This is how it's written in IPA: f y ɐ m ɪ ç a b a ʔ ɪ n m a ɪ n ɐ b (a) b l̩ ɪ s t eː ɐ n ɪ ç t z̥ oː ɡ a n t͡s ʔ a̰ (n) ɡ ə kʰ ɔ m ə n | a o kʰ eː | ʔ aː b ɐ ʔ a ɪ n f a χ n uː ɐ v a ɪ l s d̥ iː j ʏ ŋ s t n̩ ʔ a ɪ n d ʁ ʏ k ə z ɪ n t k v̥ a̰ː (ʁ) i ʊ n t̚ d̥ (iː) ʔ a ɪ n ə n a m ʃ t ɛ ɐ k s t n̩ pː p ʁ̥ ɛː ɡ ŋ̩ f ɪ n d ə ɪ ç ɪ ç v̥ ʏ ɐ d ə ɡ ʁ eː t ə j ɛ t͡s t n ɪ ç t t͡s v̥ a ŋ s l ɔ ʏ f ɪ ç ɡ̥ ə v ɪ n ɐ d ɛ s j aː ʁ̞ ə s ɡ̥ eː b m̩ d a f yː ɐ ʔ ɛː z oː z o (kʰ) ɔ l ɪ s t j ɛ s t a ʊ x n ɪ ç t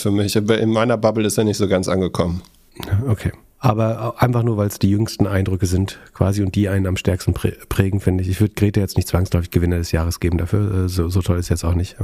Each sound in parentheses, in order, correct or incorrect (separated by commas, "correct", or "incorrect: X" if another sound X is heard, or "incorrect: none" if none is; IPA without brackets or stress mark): correct, correct, incorrect: z, correct, incorrect: tʰ